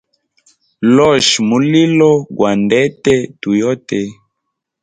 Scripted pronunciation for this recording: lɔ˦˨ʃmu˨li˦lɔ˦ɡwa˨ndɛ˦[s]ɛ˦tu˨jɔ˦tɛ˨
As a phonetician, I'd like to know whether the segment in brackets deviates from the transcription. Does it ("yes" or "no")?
yes